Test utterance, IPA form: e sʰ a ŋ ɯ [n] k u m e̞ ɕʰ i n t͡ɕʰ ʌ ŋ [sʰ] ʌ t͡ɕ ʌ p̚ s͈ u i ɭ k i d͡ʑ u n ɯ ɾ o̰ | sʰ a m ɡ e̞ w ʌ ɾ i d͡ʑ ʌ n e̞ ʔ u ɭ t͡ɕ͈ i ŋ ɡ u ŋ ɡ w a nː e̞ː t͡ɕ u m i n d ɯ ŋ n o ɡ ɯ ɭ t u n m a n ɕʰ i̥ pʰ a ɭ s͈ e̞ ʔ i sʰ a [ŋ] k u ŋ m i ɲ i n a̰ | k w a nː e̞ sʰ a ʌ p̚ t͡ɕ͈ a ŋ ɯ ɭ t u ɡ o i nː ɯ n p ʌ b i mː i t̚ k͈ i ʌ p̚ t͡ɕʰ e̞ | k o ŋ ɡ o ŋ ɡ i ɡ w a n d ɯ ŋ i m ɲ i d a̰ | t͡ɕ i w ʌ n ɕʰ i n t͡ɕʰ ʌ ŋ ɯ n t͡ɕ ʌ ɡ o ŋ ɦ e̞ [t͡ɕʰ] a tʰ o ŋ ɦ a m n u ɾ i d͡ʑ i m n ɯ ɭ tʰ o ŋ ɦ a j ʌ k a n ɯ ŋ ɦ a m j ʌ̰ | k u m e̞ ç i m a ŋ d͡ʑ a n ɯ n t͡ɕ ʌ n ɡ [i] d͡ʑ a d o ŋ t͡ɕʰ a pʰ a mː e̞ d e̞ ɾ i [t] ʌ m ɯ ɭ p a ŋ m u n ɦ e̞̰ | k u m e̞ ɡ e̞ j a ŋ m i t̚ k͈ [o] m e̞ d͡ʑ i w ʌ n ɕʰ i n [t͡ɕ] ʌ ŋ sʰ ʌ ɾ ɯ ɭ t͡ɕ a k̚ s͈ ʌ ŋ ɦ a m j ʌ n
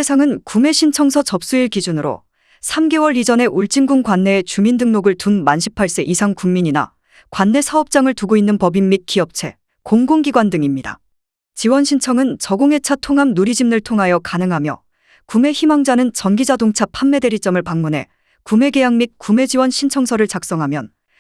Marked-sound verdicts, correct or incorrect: correct, correct, correct, correct, correct, incorrect: t͡ɕ͈, incorrect: u, incorrect: t͡ɕʰ

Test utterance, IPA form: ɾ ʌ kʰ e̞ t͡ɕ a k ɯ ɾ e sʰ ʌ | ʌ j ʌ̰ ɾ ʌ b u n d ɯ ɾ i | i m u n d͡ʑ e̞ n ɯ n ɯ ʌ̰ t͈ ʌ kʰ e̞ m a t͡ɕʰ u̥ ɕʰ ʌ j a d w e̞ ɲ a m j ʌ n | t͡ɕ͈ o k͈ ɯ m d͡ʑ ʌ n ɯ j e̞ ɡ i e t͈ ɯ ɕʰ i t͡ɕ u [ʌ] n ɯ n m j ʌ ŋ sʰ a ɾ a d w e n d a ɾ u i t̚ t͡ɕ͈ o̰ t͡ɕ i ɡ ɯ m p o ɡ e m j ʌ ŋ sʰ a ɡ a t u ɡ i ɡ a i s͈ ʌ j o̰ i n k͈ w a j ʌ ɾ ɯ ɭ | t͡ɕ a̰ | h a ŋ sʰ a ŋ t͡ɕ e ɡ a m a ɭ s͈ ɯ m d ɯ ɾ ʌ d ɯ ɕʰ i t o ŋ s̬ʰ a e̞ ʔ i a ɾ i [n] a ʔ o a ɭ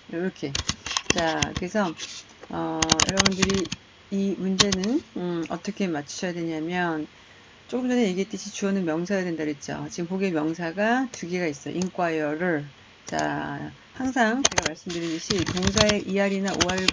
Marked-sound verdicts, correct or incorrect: correct, correct

